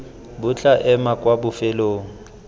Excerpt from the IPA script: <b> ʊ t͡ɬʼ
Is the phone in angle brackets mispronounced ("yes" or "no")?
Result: no